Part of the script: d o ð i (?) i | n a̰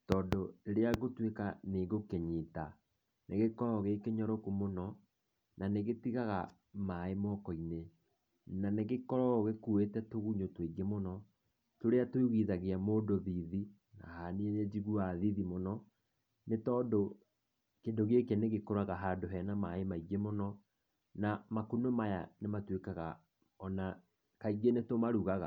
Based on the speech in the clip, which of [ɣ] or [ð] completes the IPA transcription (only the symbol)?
ð